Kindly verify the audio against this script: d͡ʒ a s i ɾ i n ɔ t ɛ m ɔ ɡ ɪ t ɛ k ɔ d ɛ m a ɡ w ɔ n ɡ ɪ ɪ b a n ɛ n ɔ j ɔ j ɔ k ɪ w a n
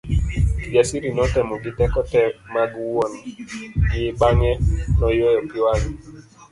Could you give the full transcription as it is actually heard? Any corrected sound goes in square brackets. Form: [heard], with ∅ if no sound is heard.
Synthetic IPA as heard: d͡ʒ a s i ɾ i n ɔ t ɛ m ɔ ɡ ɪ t ɛ k ɔ [t] ɛ m a ɡ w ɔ n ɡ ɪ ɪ b a [ŋ] ɛ n ɔ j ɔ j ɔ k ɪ w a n

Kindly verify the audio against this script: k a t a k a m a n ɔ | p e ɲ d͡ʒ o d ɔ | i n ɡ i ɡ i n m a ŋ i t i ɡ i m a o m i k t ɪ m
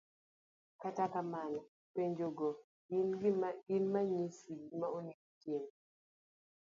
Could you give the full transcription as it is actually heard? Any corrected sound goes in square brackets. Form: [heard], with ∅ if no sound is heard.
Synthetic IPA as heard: k a t a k a m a n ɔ | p e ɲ d͡ʒ o [ɡ] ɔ | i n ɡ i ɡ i n m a [ɲ] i [s] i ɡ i m a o [n] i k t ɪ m

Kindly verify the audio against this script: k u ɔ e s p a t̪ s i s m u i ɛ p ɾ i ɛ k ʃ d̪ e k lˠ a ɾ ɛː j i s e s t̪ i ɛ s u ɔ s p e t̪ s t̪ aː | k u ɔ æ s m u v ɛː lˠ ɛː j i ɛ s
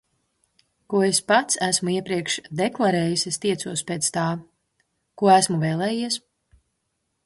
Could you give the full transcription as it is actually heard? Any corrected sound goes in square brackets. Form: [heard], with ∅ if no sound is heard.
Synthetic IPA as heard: k u ɔ e s p a t̪ s [æ] s m u i ɛ p ɾ i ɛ k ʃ d̪ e k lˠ a ɾ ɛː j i s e s t̪ i ɛ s u ɔ s p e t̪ s t̪ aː | k u ɔ æ s m u v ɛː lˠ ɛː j i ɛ s

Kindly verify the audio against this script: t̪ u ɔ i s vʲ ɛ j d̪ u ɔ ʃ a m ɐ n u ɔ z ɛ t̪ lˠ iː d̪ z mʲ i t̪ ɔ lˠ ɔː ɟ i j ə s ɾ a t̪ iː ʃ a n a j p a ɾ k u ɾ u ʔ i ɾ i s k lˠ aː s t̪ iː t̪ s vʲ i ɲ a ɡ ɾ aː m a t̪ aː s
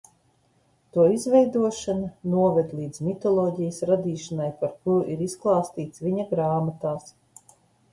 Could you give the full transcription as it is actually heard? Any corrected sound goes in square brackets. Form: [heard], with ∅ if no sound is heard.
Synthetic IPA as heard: t̪ u ɔ i [z] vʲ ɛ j d̪ u ɔ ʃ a [n] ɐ n u ɔ [v] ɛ [d̪] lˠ iː d̪ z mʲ i t̪ ɔ lˠ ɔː ɟ i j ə s ɾ a [d̪] iː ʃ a n a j p a ɾ k u ɾ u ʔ i ɾ i s k lˠ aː s t̪ iː t̪ s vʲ i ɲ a ɡ ɾ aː m a t̪ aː s

